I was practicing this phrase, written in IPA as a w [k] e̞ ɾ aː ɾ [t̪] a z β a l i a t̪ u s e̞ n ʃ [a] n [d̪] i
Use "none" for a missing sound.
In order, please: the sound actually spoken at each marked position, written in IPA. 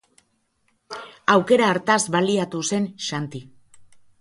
k, t̪, a, t̪

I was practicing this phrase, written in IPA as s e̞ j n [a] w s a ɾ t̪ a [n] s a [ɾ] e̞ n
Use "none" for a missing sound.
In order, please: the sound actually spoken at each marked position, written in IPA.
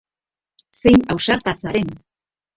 a, none, ɾ

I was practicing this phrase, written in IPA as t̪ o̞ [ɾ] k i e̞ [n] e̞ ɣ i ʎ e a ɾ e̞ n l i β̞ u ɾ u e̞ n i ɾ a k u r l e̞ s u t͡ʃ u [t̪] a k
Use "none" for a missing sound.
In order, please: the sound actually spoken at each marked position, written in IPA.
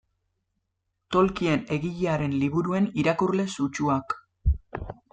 l, n, none

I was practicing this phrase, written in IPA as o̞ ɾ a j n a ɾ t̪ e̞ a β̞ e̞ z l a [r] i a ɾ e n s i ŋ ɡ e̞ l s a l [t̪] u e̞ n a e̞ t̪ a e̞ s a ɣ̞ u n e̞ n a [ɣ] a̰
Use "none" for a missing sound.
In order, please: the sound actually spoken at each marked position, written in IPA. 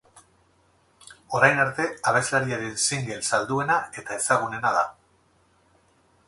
ɾ, d̪, ð

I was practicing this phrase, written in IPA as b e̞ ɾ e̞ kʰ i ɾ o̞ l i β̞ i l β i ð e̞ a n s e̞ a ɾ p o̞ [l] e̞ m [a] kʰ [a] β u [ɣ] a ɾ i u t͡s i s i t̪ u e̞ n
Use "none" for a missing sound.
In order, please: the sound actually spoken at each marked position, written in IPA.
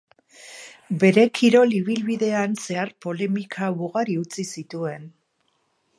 l, i, a, ɣ

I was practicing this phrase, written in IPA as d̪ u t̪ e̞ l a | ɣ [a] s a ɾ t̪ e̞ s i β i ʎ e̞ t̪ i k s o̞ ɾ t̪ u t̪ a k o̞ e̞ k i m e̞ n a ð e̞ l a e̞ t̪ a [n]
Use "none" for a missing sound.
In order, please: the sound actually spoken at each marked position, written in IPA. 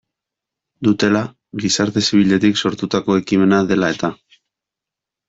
i, none

